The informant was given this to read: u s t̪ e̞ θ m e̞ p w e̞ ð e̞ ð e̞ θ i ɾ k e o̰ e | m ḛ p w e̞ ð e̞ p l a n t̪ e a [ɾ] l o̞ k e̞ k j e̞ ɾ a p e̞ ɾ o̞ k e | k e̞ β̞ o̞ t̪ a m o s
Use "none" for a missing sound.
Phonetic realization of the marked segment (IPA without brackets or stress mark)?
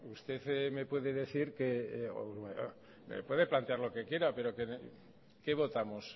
ɾ